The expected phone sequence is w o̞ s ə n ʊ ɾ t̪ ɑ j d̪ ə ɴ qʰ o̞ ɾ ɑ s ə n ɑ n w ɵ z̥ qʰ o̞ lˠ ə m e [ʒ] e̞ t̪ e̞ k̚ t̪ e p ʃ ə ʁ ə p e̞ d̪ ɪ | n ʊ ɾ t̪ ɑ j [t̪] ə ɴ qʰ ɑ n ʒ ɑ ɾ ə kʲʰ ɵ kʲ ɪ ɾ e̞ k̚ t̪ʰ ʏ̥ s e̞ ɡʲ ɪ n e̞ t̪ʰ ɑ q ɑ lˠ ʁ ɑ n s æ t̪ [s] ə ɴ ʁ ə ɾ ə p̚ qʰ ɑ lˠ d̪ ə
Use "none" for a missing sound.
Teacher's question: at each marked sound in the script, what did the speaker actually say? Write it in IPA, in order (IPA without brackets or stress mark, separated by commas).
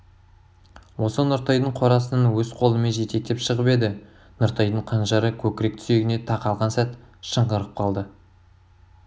ʒ, d̪, ʃ